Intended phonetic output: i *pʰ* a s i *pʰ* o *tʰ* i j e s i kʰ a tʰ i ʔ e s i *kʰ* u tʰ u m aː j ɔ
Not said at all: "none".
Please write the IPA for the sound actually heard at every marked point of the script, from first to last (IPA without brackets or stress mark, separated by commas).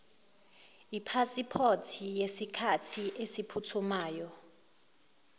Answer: pʰ, pʰ, tʰ, pʰ